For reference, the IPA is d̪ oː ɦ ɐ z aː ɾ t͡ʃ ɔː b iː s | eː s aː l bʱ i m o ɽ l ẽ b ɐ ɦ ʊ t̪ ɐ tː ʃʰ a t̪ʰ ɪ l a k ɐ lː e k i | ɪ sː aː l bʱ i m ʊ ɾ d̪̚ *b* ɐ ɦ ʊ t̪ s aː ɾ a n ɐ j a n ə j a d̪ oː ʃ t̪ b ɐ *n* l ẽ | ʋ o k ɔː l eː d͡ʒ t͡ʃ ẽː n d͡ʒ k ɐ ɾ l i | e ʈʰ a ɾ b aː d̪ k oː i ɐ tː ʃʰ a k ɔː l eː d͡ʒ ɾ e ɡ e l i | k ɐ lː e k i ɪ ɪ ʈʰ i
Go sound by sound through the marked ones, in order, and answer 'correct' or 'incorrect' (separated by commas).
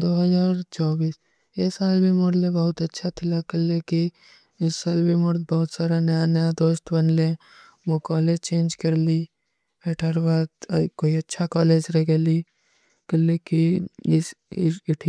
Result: correct, correct